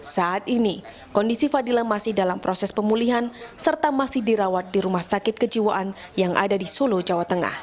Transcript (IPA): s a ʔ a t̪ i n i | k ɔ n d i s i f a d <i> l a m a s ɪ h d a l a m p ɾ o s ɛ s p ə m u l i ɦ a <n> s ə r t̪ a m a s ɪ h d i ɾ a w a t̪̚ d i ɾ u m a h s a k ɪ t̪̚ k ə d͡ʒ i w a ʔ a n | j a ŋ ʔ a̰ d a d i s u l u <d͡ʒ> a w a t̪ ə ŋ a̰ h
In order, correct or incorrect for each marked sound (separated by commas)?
correct, correct, correct